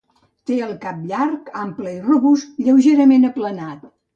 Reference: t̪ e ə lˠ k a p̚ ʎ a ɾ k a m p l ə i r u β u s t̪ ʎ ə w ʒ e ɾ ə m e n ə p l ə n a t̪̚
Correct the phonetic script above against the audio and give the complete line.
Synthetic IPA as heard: t̪ e ə lˠ k a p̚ ʎ a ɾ k a m p l ə i r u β u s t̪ ʎ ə w ʒ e ɾ ə m e n ə p l ə n a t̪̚